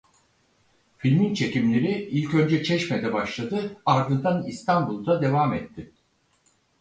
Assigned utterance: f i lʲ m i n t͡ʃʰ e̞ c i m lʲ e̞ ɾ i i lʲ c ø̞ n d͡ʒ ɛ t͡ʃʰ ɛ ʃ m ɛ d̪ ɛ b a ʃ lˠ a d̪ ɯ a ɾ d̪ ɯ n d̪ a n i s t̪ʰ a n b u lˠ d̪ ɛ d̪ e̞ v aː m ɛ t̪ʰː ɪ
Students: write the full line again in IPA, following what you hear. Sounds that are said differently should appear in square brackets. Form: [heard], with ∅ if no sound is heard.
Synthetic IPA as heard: f i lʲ m i n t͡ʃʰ e̞ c i m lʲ e̞ ɾ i i lʲ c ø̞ n d͡ʒ ɛ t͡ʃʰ ɛ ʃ m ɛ d̪ ɛ b a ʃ lˠ a d̪ ɯ a ɾ d̪ ɯ n d̪ a n i s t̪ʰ a n b u lˠ d̪ [a] d̪ e̞ v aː m ɛ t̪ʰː ɪ